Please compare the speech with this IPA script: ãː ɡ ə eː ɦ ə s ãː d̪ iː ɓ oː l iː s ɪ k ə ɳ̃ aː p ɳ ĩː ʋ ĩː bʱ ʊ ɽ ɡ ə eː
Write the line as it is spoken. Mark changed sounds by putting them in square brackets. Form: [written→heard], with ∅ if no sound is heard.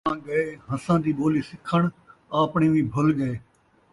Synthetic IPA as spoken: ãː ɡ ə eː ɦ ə s ãː d̪ iː ɓ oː l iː s ɪ [k→kʰ] ə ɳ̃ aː p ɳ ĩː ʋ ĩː bʱ ʊ [ɽ→l] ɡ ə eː